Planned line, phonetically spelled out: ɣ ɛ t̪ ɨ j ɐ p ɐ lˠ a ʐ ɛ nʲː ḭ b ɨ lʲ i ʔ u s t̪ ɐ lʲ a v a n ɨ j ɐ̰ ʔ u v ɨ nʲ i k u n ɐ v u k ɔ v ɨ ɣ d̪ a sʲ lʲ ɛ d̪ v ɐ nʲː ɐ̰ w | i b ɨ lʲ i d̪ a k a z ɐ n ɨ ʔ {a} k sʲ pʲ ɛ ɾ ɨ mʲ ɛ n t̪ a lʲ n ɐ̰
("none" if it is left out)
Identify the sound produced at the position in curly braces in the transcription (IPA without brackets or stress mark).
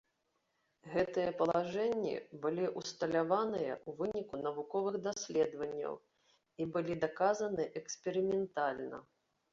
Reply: ɛ